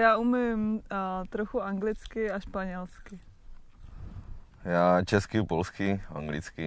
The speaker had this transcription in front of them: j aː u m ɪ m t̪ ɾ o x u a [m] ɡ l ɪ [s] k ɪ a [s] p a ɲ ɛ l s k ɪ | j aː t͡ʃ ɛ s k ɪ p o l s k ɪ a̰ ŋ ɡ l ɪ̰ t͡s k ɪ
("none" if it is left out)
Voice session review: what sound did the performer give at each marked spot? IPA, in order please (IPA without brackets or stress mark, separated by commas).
ŋ, t͡s, ʃ